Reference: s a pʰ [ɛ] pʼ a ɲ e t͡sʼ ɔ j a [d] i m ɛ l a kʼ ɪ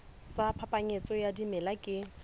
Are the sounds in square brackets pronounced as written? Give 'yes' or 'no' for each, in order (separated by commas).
no, yes